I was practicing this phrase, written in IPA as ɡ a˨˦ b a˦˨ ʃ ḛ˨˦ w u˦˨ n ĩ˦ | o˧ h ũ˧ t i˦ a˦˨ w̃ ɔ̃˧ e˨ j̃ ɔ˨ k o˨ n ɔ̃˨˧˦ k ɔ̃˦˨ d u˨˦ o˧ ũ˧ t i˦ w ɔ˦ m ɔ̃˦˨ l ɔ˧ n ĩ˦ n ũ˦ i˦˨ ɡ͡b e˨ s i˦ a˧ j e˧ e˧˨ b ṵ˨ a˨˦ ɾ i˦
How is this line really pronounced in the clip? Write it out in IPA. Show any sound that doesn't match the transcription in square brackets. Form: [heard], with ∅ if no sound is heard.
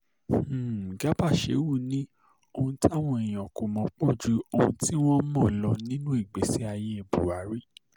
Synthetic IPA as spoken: ɡ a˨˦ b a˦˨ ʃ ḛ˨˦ w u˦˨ n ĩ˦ | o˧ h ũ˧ t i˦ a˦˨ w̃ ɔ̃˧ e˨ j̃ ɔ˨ k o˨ [m] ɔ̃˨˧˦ [k͡p] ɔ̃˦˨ [d͡ʒ] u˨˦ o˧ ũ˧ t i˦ w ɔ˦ m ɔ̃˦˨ l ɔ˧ n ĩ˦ n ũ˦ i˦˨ ɡ͡b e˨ s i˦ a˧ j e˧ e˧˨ b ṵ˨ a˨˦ ɾ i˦

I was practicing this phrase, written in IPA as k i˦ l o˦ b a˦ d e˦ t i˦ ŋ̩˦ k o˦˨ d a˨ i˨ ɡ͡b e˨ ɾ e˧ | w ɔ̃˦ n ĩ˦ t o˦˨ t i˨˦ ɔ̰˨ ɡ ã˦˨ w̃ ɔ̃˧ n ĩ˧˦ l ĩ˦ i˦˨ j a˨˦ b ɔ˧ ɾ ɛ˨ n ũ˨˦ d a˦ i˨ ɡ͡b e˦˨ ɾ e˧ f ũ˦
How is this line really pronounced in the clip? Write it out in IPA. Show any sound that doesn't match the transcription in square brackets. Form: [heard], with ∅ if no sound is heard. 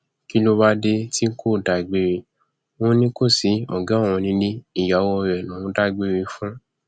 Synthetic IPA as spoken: k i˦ l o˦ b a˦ d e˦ t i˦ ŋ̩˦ k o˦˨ d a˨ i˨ ɡ͡b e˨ ɾ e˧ | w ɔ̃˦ n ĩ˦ [k] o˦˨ [s] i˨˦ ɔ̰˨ ɡ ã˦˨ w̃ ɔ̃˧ n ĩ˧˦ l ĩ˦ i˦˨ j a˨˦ [w] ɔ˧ ɾ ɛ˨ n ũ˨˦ d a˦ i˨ ɡ͡b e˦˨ ɾ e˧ f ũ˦

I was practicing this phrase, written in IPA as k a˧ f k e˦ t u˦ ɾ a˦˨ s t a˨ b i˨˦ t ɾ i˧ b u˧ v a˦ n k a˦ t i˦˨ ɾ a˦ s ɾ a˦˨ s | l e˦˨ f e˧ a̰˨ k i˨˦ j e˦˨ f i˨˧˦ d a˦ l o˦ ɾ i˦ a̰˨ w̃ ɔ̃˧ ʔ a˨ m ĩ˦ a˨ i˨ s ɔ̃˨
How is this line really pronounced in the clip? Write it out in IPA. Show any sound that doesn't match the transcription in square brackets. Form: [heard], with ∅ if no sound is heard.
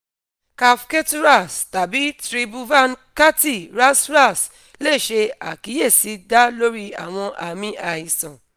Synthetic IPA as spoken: k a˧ f k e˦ t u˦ ɾ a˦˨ s t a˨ b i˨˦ t ɾ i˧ b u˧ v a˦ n k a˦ t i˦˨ ɾ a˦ s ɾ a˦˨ s | l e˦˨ [ʃ] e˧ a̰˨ k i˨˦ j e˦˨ [s] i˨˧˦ d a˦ l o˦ ɾ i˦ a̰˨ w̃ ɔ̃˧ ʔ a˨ m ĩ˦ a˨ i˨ s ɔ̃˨

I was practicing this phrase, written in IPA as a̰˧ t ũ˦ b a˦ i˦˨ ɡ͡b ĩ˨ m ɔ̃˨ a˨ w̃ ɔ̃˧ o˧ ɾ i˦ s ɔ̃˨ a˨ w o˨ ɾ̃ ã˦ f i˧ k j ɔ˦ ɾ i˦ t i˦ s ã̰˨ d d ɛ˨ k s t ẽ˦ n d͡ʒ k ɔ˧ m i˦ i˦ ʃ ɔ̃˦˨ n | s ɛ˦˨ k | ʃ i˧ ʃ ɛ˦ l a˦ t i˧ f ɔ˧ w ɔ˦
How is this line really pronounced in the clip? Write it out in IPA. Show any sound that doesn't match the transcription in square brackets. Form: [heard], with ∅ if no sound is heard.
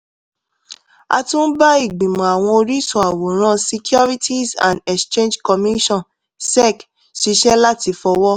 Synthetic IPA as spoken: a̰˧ t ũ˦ b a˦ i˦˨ ɡ͡b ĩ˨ m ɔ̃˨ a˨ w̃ ɔ̃˧ o˧ ɾ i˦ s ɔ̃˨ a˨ w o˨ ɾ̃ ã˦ [s] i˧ k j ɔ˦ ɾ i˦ t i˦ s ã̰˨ [n] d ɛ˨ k s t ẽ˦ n d͡ʒ k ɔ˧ m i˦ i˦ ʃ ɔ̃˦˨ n | s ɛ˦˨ k | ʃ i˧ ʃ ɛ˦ l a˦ t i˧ f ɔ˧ w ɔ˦

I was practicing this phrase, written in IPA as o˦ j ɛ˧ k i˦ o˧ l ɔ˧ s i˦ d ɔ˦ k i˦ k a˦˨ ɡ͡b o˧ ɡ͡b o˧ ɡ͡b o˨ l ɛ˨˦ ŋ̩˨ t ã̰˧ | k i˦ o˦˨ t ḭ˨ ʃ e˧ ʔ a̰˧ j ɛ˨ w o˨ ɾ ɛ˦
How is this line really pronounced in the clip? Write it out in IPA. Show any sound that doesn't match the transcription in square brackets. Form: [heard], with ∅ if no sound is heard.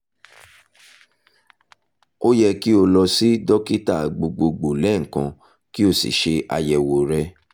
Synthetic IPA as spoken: o˦ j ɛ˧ k i˦ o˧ l ɔ˧ s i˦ d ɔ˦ k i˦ [t] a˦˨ ɡ͡b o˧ ɡ͡b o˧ ɡ͡b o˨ l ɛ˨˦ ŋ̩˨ [k] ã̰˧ | k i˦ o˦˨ [s] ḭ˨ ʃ e˧ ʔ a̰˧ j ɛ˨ w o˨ ɾ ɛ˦

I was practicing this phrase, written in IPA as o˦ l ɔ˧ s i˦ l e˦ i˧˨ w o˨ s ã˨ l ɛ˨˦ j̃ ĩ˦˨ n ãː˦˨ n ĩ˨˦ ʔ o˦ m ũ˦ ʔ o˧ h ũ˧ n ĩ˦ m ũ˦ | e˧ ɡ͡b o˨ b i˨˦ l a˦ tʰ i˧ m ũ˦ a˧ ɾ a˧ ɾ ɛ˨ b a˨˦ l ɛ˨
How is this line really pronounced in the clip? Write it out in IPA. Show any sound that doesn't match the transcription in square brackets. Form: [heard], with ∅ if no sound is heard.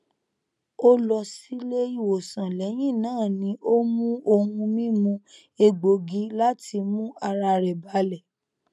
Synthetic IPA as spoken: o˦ l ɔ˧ s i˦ l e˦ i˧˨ w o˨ s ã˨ l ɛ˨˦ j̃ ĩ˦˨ n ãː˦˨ n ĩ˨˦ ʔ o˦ m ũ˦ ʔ o˧ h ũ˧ [m] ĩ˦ m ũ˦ | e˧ ɡ͡b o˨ [ɡ] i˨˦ l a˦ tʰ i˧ m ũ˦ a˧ ɾ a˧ ɾ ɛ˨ b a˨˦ l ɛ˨

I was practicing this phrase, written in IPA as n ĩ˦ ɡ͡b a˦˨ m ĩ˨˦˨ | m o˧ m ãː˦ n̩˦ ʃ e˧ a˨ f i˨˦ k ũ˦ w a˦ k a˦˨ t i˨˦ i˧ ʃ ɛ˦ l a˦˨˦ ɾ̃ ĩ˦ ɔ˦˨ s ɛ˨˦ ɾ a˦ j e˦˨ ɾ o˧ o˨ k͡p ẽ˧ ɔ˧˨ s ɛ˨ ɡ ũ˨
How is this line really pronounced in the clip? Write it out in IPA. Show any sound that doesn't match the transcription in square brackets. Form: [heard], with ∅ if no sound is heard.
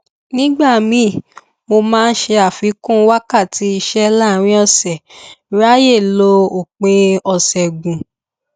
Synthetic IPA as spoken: n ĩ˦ ɡ͡b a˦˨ m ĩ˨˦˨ | m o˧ m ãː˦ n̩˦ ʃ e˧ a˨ f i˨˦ k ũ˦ w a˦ k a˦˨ t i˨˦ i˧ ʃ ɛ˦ l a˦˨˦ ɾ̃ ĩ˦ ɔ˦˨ s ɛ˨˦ ɾ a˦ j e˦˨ [l] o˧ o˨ k͡p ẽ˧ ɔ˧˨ s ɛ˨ ɡ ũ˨

